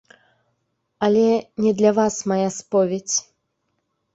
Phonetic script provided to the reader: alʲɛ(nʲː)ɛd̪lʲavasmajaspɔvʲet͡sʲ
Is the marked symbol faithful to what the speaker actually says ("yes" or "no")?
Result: no